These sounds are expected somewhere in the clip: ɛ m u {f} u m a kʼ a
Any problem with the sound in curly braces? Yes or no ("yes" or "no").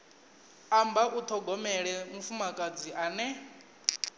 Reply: no